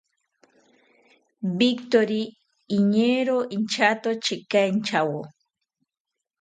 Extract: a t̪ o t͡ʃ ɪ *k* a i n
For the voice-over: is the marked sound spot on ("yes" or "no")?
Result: yes